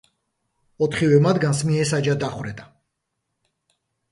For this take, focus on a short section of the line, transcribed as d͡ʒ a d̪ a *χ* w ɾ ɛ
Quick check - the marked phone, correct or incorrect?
correct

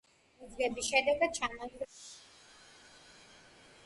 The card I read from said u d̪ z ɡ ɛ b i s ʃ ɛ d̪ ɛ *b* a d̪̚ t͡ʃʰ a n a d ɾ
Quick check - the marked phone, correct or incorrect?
incorrect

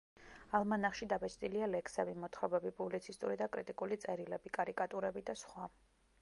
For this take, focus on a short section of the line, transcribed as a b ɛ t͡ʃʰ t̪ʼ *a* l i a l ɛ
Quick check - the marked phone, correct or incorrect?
incorrect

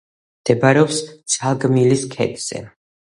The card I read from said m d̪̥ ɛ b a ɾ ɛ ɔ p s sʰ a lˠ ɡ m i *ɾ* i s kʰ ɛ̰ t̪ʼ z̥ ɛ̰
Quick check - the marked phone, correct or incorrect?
incorrect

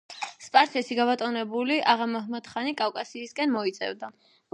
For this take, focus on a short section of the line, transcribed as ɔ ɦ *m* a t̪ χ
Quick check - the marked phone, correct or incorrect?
correct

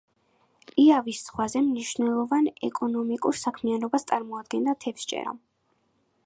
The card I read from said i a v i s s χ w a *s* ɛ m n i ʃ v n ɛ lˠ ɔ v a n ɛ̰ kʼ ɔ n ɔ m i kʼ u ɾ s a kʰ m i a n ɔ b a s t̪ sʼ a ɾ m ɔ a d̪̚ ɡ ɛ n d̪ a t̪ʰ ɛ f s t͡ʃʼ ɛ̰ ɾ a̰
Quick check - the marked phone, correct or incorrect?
incorrect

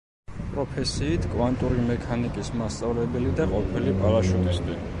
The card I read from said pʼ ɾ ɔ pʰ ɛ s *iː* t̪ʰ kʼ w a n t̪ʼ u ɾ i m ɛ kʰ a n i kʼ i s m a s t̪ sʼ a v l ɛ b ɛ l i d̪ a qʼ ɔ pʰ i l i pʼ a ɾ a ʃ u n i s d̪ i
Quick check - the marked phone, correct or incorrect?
correct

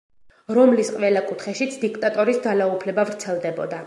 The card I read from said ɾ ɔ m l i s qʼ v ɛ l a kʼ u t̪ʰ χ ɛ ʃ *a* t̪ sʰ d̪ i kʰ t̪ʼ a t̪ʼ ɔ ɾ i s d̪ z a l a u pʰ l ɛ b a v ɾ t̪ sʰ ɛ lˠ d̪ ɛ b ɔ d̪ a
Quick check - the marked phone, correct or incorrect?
incorrect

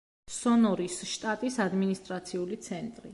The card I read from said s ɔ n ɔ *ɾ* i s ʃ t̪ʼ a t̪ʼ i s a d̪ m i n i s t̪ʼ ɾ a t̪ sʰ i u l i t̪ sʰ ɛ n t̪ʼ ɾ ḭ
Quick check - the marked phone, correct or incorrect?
correct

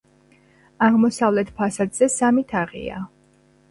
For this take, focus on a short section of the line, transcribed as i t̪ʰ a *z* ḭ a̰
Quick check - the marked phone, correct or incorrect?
incorrect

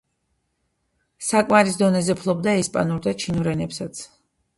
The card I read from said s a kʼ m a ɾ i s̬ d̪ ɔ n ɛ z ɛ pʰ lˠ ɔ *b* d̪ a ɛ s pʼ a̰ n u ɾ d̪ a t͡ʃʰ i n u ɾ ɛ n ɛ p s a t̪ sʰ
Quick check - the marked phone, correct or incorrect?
correct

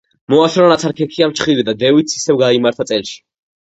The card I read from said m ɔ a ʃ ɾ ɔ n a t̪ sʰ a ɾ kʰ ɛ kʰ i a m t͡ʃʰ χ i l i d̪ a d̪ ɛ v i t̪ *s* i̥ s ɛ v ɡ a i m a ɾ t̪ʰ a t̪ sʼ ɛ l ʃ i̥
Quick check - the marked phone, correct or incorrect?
correct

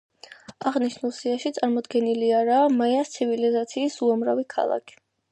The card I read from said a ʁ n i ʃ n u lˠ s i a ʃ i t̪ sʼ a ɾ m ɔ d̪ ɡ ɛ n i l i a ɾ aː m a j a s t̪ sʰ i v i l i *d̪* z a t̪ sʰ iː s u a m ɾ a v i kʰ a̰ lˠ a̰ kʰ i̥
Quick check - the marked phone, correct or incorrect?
incorrect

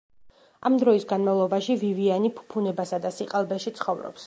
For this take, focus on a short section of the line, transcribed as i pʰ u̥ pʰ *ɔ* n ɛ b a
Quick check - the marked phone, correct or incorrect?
incorrect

